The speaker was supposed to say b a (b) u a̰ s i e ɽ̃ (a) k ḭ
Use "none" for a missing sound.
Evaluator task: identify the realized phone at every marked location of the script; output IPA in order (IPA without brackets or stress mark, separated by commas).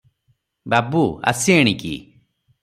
b, i